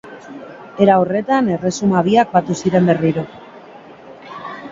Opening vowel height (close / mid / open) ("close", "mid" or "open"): mid